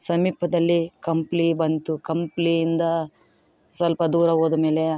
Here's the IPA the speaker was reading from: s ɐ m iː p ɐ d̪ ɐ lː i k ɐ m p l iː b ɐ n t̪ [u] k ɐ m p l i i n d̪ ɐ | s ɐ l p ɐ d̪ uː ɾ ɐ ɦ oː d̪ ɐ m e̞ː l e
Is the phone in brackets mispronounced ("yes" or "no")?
no